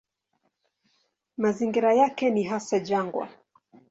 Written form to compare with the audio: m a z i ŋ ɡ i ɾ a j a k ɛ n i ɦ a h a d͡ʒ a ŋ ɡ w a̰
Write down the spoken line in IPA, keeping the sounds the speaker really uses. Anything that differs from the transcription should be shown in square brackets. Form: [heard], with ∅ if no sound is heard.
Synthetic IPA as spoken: m a z i ŋ ɡ i ɾ a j a k ɛ n i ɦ a [s] a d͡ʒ a ŋ ɡ w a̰